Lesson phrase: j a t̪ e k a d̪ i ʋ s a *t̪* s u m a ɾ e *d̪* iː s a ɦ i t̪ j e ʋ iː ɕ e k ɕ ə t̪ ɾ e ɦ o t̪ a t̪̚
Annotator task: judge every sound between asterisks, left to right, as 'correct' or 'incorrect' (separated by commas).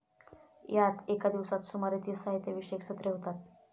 correct, incorrect